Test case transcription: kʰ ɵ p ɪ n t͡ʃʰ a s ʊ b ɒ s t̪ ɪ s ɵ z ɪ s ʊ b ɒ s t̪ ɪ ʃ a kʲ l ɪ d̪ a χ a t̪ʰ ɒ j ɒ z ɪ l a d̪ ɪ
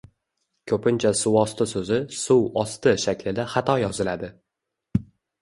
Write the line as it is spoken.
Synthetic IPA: kʰ ɵ p ɪ n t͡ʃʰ a s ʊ w ɒ s t̪ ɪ s ɵ z ɪ s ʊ w ɒ s t̪ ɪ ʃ a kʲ l ɪ d̪ a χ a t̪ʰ ɒ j ɒ z ɪ l a d̪ ɪ

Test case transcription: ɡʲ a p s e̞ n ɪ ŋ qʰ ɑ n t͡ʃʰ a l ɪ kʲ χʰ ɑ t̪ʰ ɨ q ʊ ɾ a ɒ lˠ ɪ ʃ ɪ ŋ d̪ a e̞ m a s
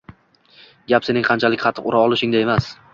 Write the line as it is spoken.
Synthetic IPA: ɡʲ a p s e̞ n ɪ ŋ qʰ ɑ n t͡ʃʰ a l ɪ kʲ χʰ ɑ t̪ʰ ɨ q ʊ ɾ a ɒ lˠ ɪ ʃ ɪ ŋ d̪ a e̞ m a s

